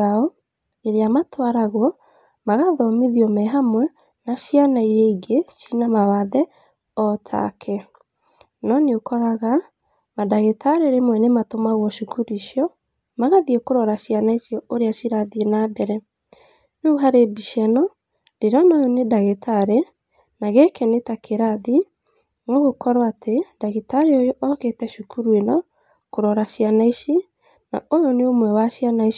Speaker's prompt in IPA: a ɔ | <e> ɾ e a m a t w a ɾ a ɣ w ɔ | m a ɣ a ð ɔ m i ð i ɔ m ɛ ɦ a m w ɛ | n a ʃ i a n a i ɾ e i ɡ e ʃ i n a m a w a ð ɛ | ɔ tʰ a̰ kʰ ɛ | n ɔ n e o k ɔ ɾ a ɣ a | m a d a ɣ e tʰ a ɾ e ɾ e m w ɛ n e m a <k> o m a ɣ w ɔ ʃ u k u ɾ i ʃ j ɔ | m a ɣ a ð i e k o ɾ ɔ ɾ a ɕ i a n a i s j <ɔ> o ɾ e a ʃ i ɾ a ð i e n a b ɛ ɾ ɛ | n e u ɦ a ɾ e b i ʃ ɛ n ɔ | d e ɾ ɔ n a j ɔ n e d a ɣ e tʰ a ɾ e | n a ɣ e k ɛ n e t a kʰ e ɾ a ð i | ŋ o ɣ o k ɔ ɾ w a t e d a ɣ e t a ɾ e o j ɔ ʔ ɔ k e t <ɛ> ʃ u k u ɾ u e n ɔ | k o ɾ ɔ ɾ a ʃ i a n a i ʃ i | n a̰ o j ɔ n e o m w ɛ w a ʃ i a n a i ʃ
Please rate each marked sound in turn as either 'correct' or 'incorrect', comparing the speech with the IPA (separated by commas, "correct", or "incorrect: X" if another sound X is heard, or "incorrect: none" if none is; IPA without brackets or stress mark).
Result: correct, incorrect: t, correct, correct